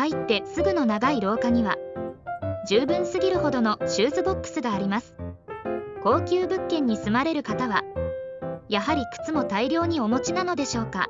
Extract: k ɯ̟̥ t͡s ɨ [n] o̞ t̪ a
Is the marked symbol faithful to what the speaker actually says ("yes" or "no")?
no